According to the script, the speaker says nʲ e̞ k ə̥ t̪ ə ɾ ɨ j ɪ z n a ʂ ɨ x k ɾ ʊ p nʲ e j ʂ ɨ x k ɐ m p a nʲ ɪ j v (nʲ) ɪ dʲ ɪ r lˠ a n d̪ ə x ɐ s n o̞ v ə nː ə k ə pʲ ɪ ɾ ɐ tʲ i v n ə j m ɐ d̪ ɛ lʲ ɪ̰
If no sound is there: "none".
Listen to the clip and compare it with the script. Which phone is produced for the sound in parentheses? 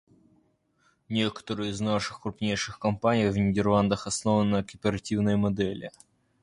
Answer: nʲ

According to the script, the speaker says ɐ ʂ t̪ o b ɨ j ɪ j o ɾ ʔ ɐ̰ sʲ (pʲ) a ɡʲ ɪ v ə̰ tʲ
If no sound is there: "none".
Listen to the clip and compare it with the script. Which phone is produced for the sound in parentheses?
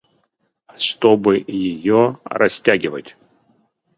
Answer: tʲ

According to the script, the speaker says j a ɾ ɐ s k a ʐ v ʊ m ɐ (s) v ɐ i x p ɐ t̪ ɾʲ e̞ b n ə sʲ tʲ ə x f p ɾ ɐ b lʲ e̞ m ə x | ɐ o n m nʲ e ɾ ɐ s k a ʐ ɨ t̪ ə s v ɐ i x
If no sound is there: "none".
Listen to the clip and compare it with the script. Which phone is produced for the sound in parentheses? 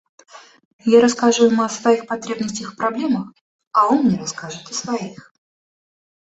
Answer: s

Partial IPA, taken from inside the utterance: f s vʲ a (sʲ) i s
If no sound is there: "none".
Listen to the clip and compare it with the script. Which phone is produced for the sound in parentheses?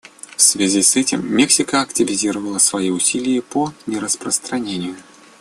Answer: zʲ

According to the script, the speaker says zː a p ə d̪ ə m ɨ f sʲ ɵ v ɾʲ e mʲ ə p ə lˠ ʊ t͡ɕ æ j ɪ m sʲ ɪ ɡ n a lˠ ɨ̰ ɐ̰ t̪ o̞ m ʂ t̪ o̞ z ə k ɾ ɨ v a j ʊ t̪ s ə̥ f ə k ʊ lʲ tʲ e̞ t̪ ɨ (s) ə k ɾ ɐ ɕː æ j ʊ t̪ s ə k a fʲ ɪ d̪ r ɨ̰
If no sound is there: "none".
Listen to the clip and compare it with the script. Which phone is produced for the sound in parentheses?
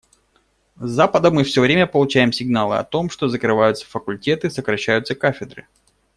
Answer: s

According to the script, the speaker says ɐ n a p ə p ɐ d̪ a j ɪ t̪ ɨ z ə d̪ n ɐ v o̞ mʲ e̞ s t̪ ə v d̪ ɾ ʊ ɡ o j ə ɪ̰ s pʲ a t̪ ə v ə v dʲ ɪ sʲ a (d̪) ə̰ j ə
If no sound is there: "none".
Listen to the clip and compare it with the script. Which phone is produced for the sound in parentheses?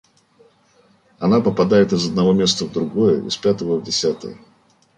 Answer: t̪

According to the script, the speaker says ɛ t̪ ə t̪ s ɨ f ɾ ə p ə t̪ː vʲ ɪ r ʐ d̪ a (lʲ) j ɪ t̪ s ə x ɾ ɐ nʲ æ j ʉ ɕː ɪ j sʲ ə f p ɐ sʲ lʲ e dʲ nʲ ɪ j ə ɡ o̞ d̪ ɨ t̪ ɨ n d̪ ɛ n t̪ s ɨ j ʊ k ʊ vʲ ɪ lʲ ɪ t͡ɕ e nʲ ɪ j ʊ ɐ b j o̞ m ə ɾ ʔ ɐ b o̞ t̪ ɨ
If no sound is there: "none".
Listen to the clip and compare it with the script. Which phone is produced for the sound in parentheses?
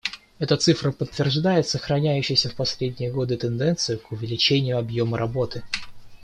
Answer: none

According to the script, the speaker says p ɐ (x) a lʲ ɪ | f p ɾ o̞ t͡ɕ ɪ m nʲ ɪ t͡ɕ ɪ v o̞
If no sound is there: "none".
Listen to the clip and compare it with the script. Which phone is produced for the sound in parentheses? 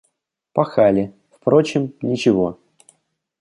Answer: x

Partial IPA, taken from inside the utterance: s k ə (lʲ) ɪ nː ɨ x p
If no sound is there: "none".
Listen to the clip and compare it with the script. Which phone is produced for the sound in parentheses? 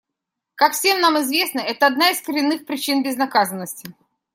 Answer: ɾʲ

